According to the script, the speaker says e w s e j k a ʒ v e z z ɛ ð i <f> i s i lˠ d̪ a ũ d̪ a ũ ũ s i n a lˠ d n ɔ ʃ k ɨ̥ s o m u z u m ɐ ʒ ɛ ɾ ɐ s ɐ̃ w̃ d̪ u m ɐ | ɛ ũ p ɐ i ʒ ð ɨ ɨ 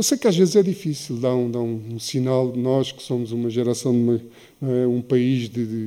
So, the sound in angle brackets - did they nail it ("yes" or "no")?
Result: yes